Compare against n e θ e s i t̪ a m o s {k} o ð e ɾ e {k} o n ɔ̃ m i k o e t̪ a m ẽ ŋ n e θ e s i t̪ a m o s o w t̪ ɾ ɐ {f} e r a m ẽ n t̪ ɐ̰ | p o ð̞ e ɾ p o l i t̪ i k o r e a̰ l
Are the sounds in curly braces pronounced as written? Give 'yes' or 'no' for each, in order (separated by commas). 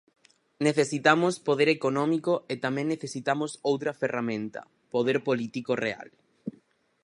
no, yes, yes